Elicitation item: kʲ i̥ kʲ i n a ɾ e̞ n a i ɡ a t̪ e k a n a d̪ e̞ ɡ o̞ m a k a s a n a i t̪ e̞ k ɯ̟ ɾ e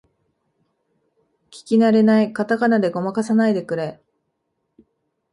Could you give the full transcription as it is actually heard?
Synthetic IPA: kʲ i̥ kʲ i n a ɾ e̞ n a i k a t̪ a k a n a d̪ e̞ ɡ o̞ m a k a s a n a i d̪ e̞ k ɯ̟ ɾ e